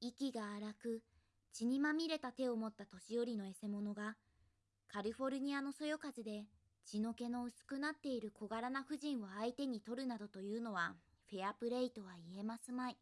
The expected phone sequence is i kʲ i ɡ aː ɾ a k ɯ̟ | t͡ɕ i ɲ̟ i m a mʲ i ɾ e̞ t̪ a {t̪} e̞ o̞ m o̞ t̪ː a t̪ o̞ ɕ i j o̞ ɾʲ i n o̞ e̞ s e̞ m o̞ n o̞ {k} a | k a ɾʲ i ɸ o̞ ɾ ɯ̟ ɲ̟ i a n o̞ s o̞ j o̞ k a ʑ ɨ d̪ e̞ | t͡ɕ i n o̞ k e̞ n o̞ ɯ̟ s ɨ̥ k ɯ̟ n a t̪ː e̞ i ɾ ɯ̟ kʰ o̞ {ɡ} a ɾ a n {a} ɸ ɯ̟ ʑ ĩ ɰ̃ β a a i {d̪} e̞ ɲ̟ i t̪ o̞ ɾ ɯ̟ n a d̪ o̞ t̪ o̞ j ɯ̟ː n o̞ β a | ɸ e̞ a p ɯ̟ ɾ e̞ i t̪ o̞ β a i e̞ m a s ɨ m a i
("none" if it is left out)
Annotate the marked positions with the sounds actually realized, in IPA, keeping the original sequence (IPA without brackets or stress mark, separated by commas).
t̪, ɡ, ɡ, a, t̪